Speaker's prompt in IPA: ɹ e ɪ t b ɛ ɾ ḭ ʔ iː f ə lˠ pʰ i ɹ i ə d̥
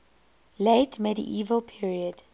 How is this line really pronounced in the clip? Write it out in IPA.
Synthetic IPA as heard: l e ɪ t m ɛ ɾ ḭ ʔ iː v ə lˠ pʰ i ɹ i ə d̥